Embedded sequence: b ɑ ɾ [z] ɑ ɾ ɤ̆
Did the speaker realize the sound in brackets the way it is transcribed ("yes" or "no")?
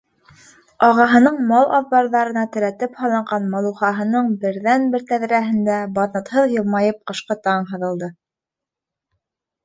no